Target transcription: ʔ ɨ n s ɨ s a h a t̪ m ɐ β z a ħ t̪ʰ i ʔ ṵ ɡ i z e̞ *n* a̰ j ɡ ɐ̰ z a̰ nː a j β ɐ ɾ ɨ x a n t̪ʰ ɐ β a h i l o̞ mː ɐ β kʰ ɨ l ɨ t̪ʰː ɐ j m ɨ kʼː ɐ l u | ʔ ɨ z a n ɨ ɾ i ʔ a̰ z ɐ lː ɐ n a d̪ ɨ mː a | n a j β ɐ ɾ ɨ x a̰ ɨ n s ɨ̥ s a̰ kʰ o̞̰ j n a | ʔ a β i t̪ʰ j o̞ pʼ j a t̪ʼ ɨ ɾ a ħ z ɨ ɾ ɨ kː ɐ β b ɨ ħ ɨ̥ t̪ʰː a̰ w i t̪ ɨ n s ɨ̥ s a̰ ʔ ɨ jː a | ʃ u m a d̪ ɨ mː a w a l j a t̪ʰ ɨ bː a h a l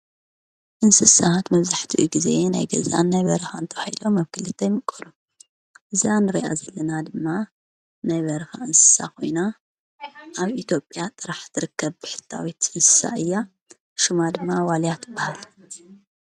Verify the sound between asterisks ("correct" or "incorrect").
correct